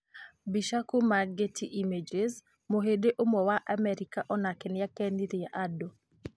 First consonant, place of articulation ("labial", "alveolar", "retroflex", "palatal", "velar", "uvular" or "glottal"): labial